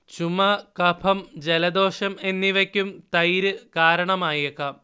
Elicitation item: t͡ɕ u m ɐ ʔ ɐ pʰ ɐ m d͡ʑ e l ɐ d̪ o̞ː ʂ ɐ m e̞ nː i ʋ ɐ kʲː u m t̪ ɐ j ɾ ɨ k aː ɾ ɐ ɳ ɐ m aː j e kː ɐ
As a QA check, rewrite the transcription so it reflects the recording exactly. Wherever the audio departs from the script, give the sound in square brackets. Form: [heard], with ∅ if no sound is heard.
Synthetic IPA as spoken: t͡ɕ u m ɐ [k] ɐ pʰ ɐ m d͡ʑ e l ɐ d̪ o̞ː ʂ ɐ m e̞ nː i ʋ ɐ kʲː u m t̪ ɐ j ɾ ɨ k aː ɾ ɐ ɳ ɐ m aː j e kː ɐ